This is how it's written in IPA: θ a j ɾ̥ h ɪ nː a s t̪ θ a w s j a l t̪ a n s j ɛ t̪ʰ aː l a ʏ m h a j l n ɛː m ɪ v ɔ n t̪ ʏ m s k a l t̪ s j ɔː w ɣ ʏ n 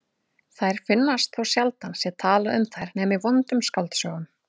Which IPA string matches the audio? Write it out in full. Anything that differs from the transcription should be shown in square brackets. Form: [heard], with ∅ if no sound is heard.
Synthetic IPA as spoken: θ a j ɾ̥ [f] ɪ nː a s t̪ θ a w s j a l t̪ a n s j ɛ t̪ʰ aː l a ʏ m [θ] a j [ɾ] n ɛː m ɪ v ɔ n t̪ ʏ m s k a l t̪ s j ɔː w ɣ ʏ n